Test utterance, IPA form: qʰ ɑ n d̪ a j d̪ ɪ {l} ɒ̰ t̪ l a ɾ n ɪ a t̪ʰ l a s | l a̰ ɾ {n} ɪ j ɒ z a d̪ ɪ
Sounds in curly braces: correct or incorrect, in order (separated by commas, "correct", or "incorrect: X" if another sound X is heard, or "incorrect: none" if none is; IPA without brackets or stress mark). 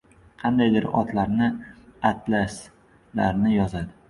incorrect: ɾ, correct